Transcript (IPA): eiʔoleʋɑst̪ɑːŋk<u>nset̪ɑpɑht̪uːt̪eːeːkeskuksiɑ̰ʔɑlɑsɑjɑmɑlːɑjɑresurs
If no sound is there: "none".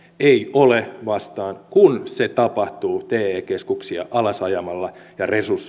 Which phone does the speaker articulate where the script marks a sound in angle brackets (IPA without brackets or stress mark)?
u